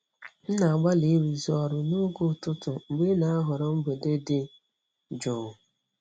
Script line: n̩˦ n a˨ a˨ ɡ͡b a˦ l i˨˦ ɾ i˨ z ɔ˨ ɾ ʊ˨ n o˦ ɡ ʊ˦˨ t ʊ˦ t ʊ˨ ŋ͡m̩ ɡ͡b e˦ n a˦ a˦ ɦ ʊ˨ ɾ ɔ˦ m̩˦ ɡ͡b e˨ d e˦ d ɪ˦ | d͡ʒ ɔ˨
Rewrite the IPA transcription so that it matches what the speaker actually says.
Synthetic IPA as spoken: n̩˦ n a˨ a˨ ɡ͡b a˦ l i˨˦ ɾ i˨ z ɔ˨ ɾ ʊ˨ n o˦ ɡ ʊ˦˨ t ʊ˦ t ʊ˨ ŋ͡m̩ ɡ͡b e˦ n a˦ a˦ ɦ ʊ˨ ɾ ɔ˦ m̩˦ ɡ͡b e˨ d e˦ d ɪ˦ | d͡ʒ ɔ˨